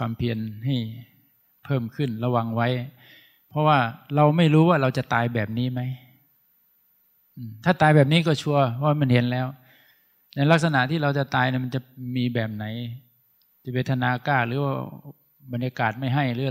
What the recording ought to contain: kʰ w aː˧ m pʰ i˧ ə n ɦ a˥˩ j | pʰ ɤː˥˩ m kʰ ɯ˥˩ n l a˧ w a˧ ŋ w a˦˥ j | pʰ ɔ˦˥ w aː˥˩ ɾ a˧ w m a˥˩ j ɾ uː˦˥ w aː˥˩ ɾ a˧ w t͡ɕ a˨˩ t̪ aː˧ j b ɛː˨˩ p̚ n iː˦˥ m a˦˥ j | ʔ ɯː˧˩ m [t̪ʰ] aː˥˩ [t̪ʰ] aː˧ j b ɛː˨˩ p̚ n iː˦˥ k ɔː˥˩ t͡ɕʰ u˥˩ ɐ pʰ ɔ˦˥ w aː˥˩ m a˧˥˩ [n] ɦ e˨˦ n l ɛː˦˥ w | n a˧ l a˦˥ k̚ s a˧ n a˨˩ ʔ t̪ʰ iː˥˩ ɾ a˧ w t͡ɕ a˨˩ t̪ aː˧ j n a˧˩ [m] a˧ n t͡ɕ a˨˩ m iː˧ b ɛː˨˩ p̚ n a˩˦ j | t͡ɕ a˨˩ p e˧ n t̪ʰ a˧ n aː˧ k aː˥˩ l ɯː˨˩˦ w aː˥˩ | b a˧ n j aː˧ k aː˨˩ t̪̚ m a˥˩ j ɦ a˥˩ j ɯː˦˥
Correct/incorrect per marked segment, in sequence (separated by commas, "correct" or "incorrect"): correct, incorrect, correct, correct